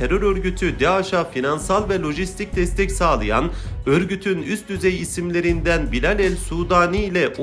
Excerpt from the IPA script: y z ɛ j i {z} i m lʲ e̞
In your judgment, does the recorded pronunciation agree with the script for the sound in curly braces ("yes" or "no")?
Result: no